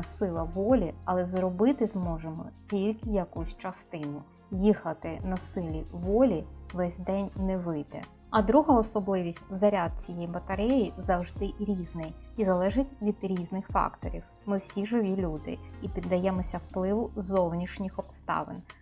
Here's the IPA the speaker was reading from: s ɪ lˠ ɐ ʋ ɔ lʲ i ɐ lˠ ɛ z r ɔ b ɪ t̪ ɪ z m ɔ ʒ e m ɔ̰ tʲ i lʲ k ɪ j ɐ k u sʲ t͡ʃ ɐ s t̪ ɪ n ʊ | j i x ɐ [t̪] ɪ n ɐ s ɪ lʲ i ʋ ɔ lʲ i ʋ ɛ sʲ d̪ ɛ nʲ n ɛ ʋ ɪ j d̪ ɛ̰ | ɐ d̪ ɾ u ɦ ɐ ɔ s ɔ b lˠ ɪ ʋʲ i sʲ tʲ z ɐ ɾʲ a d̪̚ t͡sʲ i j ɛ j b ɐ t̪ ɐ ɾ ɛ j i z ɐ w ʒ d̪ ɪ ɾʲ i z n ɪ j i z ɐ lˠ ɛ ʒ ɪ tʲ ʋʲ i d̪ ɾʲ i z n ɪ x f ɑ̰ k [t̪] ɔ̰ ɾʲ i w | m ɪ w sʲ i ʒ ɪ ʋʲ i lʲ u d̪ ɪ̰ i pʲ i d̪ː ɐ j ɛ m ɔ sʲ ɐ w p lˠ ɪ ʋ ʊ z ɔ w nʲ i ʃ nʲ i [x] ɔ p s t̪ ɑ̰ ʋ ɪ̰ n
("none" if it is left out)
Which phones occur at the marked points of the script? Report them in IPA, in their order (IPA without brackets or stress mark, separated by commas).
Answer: t̪, t̪, x